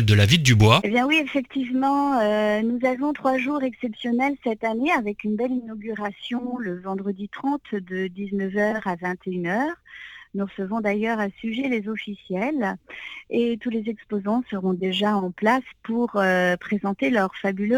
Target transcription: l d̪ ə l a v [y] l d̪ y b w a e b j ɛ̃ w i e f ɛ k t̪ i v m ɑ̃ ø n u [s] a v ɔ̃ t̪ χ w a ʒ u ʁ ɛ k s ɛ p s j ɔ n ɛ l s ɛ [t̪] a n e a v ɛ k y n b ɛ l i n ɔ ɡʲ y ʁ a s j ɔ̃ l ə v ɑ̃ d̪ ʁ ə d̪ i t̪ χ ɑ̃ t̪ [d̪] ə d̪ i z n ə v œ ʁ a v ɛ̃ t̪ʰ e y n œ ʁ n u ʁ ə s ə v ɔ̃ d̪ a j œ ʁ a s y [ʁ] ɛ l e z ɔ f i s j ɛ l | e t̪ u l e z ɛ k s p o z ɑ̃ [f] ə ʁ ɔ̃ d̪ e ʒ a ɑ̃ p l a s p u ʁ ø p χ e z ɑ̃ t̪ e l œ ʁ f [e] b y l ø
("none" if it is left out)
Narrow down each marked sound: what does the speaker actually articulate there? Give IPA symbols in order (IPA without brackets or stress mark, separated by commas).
i, z, t̪, d̪, ʒ, s, a